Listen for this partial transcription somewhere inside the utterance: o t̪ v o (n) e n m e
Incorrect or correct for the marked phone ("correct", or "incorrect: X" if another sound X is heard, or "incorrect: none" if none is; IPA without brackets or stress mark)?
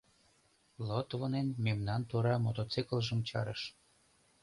correct